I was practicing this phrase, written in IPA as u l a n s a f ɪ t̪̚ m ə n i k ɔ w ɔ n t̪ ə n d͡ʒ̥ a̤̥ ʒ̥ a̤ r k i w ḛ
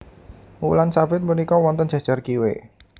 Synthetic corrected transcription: u l a n s a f ɪ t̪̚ m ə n i k ɔ w ɔ n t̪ ə n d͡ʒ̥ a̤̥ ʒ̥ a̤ r k i w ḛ